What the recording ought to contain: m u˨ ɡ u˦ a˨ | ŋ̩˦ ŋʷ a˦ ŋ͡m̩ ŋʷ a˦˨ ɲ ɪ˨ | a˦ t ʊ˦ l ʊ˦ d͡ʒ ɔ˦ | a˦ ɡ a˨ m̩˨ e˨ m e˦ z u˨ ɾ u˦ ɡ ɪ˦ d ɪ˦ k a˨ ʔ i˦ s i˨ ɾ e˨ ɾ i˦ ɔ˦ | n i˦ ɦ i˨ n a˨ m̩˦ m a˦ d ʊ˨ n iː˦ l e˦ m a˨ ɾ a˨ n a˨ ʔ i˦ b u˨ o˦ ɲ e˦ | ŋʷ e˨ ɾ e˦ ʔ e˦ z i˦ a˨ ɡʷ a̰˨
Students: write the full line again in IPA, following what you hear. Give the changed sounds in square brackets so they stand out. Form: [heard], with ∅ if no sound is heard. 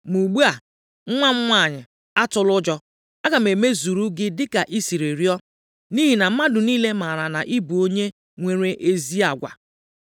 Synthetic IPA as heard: m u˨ [ɡ͡b] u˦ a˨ | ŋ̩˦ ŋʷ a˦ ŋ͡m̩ ŋʷ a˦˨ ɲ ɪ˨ | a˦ t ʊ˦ l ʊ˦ d͡ʒ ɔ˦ | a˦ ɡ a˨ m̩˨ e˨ m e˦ z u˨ ɾ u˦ ɡ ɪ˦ d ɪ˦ k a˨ ʔ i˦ s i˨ ɾ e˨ ɾ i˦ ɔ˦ | n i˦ ɦ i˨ n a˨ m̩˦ m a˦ d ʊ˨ n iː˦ l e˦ m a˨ ɾ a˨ n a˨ ʔ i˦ b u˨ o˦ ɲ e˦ | ŋʷ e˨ ɾ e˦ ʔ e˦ z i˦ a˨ ɡʷ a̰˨